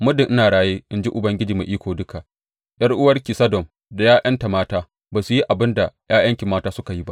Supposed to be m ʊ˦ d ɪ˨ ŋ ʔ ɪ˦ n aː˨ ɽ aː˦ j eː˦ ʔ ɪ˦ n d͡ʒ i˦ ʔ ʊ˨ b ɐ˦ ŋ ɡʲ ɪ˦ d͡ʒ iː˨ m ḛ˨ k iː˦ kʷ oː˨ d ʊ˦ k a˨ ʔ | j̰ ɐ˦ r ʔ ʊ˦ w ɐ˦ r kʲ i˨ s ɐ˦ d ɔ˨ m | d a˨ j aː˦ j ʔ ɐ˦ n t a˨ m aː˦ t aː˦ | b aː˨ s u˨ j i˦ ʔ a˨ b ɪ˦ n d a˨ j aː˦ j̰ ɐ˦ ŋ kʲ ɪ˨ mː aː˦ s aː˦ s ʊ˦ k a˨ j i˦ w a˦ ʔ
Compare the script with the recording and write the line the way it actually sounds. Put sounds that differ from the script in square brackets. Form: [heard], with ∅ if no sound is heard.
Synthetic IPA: m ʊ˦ d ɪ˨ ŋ ʔ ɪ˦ n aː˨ ɽ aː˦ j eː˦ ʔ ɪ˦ n d͡ʒ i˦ ʔ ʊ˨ b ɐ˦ ŋ ɡʲ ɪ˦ d͡ʒ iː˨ m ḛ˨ [ʔ] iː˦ kʷ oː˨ d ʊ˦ k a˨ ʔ | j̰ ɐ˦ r ʔ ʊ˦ w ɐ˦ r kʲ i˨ s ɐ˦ d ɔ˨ m | d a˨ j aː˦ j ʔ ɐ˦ n t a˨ m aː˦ t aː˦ | b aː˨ s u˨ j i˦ ʔ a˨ b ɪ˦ n d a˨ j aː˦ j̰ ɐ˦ ŋ kʲ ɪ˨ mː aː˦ [t] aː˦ s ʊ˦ k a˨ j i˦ [b] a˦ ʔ